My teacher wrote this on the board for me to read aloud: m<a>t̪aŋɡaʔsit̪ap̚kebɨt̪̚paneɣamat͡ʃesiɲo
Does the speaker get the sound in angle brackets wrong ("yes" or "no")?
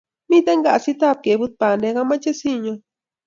yes